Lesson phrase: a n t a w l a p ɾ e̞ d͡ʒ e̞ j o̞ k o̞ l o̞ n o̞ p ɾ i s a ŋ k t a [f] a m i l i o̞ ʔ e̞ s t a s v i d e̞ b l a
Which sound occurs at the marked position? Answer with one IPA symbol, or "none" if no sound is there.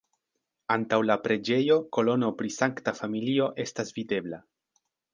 f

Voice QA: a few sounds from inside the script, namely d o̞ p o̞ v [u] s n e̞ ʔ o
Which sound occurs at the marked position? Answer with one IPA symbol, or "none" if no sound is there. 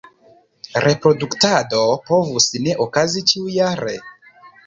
u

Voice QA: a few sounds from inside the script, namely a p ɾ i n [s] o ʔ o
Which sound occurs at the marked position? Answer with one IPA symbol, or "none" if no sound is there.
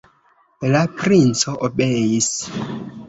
t͡s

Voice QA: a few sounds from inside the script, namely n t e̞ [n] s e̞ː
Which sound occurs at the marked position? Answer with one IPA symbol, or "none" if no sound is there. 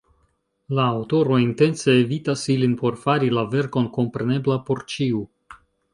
n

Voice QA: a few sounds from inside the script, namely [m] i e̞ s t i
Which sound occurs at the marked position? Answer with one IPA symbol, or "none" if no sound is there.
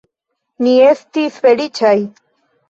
n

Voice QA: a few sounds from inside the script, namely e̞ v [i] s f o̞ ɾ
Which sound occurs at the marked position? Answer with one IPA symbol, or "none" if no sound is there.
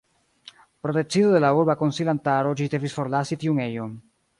i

